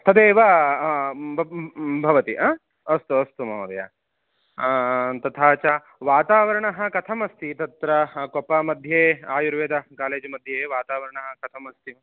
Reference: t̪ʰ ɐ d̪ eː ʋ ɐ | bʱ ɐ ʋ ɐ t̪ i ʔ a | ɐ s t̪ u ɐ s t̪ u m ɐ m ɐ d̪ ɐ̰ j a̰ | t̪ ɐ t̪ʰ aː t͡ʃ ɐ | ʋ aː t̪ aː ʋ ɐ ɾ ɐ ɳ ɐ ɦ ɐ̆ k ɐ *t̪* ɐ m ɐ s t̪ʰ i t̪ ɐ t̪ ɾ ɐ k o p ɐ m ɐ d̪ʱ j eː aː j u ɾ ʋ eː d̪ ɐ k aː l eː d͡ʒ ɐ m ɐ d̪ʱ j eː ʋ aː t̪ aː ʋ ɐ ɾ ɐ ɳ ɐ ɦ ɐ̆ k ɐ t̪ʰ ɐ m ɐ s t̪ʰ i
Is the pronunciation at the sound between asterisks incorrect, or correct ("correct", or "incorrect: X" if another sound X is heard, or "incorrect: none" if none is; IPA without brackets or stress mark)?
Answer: incorrect: t̪ʰ